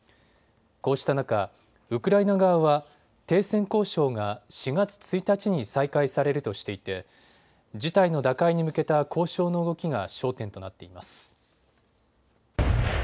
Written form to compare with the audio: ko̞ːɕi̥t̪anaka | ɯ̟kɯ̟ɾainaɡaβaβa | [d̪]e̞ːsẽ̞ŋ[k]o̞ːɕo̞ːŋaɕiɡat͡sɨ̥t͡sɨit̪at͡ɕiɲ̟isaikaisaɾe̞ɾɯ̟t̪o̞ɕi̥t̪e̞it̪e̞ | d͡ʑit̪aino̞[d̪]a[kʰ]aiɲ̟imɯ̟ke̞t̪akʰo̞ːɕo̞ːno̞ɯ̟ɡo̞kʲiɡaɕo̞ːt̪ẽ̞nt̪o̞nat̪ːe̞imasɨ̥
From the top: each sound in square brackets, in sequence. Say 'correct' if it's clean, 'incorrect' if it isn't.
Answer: incorrect, correct, correct, incorrect

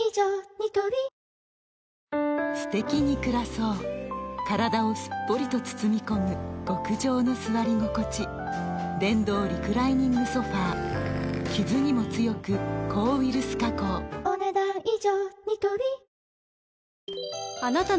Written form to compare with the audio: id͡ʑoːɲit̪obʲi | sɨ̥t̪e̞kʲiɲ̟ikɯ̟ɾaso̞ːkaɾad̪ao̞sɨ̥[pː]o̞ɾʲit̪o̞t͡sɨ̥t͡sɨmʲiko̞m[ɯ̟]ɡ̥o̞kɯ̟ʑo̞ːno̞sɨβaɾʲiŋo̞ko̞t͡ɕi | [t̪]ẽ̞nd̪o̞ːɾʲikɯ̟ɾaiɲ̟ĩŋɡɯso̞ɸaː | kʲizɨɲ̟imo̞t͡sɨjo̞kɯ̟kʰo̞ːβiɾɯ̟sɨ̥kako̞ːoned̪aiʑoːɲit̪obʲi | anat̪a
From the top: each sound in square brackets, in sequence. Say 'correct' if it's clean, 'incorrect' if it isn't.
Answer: correct, correct, incorrect

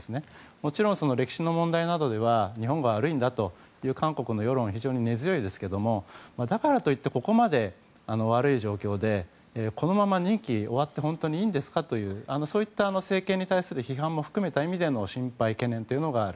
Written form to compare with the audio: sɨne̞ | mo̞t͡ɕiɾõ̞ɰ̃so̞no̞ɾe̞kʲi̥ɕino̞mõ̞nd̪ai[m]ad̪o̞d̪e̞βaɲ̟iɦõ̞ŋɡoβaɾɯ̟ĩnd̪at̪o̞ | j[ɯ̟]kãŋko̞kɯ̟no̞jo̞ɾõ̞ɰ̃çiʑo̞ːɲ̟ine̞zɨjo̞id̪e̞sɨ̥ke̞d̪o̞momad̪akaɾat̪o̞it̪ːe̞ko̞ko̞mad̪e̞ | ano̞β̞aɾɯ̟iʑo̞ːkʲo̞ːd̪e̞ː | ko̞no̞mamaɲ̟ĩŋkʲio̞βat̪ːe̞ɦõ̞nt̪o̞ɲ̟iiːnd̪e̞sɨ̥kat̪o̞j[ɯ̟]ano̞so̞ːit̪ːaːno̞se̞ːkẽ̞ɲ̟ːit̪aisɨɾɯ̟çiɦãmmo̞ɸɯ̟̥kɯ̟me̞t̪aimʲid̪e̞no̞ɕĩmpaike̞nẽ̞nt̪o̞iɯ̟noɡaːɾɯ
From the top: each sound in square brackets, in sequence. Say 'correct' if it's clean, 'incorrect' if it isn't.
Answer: incorrect, incorrect, incorrect

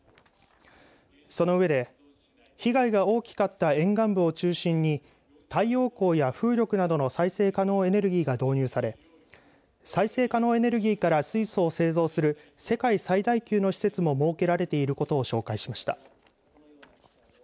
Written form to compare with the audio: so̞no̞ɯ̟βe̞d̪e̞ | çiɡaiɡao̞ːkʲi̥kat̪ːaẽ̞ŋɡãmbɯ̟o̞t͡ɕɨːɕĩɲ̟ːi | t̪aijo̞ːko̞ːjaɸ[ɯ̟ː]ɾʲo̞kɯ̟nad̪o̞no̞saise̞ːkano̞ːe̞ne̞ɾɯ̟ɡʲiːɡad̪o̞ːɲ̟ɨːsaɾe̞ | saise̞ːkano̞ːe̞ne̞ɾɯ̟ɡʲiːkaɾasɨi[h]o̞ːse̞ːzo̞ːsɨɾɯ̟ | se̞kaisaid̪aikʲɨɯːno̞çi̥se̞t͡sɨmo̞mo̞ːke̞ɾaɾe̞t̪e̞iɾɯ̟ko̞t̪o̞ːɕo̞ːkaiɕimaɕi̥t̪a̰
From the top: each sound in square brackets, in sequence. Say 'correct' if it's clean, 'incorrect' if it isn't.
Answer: correct, incorrect

